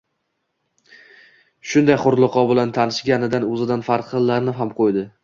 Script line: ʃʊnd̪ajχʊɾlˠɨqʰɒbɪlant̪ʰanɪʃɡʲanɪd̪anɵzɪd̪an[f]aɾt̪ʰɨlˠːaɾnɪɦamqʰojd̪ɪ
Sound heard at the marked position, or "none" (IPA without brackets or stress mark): f